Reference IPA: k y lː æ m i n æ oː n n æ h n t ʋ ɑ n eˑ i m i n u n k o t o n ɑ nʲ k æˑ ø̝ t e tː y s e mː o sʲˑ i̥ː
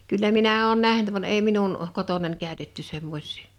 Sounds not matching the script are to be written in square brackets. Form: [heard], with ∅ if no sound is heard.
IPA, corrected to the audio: k y lː æ m i n æ oː n n æ h n t ʋ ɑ n eˑ i m i n u n k o t o n ɑ nʲ k æˑ ø̝ t e tː y s e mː o sʲˑ i̥ː